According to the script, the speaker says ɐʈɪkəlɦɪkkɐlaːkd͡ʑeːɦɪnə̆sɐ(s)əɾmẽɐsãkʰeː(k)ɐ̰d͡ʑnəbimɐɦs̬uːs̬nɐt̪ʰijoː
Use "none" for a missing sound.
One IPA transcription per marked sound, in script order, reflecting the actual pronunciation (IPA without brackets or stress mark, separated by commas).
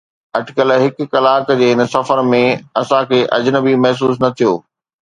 f, ʔ